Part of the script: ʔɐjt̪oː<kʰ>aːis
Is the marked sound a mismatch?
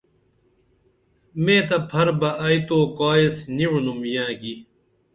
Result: yes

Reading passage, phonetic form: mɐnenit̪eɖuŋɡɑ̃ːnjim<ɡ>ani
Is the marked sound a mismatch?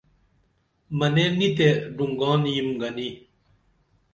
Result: no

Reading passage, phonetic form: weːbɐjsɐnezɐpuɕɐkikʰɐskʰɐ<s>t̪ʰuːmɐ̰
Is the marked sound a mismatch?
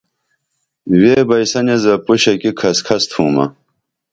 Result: no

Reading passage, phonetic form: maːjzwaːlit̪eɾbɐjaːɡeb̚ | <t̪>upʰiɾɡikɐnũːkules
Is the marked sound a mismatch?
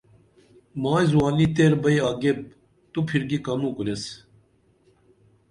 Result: no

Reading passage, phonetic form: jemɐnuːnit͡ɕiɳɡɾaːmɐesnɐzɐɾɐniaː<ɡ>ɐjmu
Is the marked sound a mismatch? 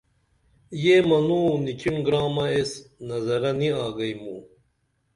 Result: no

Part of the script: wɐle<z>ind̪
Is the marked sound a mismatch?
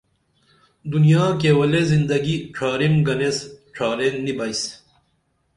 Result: no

